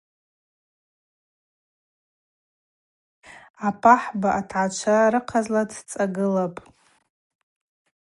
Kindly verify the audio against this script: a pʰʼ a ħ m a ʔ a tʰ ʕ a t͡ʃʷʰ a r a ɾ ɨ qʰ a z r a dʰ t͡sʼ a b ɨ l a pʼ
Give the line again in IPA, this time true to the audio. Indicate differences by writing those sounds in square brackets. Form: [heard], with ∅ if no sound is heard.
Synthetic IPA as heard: a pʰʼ a ħ [b] a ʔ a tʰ ʕ a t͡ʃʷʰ a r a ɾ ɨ qʰ a z [l] a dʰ t͡sʼ a [ɡ] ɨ l a pʼ